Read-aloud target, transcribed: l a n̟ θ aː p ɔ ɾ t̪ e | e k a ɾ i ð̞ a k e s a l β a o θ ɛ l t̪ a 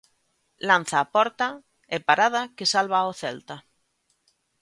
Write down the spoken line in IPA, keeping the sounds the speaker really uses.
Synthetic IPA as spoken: l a n̟ θ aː p ɔ ɾ t̪ a | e p a ɾ a ð̞ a k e s a l β a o θ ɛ l t̪ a